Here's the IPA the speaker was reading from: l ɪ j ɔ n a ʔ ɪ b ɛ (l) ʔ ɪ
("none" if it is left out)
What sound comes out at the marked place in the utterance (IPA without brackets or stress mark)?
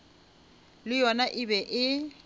none